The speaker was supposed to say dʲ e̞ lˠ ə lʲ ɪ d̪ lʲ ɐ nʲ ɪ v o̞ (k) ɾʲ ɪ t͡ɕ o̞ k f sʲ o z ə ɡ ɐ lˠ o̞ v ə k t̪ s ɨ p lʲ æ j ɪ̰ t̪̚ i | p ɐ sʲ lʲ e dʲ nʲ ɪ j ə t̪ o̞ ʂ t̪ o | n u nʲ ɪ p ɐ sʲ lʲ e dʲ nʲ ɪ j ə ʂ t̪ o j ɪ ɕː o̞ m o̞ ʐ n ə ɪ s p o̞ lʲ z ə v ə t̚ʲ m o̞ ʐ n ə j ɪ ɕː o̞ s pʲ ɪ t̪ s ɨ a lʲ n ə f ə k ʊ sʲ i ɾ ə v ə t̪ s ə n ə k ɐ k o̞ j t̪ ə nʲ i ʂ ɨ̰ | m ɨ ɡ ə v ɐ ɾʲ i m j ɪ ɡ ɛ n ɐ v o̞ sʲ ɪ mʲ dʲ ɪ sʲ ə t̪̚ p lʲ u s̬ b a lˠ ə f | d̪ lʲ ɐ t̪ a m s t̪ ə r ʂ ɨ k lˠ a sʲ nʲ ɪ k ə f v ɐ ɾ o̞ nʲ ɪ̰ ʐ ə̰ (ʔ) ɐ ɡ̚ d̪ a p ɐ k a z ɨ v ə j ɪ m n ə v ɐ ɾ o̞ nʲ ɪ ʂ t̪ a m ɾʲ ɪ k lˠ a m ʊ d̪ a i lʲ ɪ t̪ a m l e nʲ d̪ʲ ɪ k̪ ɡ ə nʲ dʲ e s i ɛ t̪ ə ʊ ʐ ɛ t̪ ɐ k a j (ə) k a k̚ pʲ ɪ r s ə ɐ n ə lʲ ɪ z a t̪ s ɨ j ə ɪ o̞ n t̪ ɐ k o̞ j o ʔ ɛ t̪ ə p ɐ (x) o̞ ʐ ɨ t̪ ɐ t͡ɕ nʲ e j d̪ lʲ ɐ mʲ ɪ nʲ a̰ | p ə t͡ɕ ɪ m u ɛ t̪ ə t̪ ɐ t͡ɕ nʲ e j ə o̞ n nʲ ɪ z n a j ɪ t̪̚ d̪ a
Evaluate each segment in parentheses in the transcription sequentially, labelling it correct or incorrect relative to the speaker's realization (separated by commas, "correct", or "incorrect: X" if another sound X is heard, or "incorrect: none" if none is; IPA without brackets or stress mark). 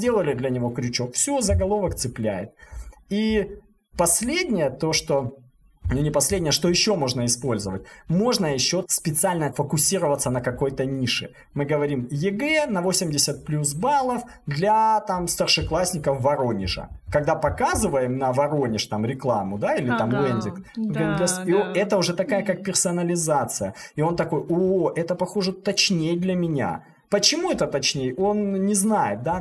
correct, incorrect: k, correct, correct